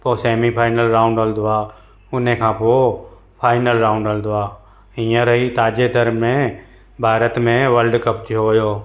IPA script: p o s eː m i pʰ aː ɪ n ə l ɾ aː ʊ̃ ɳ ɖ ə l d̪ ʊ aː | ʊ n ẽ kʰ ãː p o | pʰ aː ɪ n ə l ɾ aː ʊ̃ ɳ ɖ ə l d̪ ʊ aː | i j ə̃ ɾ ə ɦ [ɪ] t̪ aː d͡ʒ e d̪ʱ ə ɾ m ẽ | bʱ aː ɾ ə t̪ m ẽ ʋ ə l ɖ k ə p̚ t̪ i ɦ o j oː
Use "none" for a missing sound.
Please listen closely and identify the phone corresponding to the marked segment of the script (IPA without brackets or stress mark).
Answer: i